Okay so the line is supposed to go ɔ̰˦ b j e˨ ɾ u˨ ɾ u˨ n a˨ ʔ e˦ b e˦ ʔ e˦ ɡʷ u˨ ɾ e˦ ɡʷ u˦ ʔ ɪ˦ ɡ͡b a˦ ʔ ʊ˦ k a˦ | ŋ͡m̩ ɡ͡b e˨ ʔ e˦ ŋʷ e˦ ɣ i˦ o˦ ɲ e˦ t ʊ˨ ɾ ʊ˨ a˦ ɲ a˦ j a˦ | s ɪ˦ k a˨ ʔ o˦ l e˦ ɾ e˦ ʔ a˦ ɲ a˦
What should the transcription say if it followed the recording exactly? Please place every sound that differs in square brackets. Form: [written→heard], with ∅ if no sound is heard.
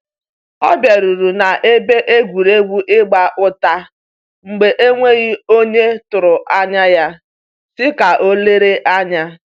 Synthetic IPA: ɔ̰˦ b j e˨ ɾ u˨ ɾ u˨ n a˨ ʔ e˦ b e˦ ʔ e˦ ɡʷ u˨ ɾ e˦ ɡʷ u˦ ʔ ɪ˦ ɡ͡b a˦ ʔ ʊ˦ [k→t] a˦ | ŋ͡m̩ ɡ͡b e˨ ʔ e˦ ŋʷ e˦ ɣ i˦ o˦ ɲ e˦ t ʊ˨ ɾ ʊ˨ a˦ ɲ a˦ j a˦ | s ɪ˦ k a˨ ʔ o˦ l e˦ ɾ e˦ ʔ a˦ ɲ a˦